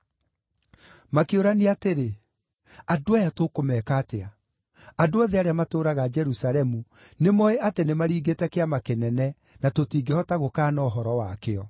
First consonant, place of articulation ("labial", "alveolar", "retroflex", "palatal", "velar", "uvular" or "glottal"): labial